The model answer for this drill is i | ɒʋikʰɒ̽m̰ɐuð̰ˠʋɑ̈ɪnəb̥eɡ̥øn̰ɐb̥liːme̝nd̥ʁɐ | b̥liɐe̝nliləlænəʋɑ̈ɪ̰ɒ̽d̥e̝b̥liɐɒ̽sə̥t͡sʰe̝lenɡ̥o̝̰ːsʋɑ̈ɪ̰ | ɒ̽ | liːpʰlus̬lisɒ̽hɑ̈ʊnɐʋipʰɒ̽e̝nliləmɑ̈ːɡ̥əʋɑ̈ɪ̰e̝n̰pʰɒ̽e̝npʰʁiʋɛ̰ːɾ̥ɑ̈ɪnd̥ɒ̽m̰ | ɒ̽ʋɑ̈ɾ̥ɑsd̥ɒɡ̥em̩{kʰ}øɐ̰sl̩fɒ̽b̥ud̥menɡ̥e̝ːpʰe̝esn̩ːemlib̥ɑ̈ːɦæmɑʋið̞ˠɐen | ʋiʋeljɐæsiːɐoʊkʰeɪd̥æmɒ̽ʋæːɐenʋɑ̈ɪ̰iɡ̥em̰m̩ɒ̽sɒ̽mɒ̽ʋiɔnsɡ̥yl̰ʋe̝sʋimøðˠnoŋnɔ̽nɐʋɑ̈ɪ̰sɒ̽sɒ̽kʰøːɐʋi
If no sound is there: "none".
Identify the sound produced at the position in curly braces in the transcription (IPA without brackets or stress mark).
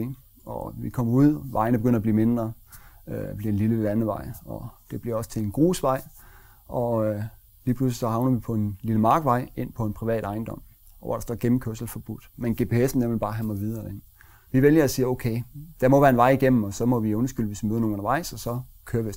kʰ